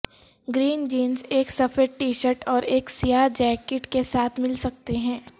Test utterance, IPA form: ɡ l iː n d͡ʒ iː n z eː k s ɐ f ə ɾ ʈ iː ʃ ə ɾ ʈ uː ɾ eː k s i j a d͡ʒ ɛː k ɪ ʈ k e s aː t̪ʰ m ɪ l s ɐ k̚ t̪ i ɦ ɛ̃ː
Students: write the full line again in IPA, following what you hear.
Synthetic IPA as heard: ɡ ɾ iː n d͡ʒ iː n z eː k s ɐ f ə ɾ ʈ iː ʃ ə ɾ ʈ ɔː ɾ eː k s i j a d͡ʒ ɛː k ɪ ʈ k e s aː t̪ʰ m ɪ l s ɐ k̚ t̪ e ɦ ɛ̃ː